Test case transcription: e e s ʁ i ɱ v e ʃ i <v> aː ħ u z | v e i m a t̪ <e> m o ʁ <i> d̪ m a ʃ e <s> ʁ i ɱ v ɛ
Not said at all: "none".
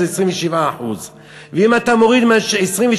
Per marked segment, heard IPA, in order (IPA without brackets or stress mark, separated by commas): v, a, i, s